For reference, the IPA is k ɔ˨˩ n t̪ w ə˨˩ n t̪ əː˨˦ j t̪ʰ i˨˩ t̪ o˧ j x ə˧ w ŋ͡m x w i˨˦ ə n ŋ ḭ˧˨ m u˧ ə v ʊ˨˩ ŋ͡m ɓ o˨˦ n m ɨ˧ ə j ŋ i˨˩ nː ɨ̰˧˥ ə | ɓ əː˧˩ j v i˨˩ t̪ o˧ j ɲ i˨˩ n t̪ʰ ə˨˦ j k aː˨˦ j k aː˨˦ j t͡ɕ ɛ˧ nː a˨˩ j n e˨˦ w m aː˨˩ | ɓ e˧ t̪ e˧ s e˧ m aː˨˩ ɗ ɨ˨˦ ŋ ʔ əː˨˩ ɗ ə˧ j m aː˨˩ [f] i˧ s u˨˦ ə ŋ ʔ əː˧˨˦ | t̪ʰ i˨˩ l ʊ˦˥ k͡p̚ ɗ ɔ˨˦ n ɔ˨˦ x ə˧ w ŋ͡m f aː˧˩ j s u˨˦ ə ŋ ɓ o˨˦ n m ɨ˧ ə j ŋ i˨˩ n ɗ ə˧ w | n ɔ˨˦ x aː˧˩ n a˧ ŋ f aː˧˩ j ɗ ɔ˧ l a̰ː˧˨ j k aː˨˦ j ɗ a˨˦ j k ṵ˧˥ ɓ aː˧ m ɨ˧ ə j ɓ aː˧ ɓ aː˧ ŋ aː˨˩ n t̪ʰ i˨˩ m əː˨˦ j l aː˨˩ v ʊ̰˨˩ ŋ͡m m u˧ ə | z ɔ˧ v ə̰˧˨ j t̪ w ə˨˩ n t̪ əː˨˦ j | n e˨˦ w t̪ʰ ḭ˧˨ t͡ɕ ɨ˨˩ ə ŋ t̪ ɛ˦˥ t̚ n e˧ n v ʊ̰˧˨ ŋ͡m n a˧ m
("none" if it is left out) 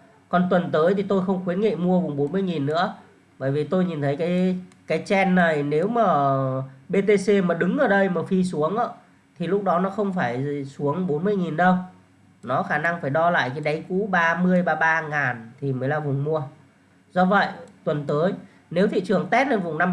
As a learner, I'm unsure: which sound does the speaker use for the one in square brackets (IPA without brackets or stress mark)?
f